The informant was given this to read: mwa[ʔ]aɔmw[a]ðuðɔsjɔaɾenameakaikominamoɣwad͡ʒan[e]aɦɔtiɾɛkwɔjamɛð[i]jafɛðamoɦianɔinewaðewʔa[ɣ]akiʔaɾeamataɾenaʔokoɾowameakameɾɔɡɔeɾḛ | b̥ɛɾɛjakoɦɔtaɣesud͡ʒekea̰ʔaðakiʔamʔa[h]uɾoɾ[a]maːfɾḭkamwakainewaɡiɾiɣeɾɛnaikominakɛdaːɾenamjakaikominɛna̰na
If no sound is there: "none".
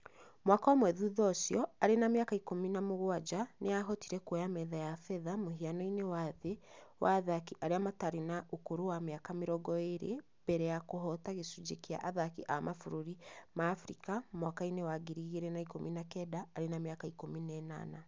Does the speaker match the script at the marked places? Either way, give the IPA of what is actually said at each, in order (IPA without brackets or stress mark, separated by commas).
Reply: k, ɛ, e, a, ð, f, i